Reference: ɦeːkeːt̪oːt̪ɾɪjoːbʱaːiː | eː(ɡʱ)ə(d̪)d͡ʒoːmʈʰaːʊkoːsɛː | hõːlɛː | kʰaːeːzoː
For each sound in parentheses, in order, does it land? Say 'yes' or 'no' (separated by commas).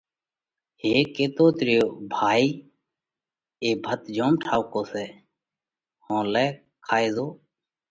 no, no